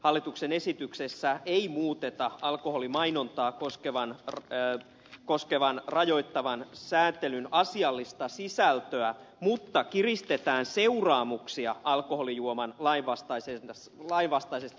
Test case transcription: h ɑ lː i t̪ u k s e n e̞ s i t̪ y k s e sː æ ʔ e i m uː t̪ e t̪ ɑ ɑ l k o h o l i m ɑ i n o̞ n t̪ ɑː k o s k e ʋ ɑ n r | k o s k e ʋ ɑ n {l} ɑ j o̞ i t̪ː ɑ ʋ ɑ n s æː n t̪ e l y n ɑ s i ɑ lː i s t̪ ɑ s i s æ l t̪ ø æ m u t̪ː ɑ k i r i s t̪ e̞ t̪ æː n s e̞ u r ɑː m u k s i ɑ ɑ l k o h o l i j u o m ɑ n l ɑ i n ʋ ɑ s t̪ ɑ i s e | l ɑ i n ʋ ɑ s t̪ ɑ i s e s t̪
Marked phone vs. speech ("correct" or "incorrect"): incorrect